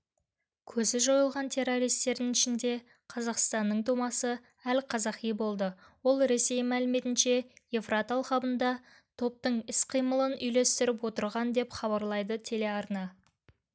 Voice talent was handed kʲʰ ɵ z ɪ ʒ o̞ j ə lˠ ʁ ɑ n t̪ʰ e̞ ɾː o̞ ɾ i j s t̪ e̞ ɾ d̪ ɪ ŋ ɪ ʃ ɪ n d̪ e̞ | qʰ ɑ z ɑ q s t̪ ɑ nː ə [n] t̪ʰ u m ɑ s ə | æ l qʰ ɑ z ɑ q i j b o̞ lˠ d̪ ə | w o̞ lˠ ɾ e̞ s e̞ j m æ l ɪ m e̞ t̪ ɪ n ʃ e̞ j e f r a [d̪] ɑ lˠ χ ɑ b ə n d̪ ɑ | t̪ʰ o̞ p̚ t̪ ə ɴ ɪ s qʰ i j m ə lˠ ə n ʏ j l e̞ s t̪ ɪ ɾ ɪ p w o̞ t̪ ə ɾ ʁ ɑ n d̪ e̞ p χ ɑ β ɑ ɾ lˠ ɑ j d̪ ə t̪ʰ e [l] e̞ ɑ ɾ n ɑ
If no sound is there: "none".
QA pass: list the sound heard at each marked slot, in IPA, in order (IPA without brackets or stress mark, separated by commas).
ɴ, t̪, l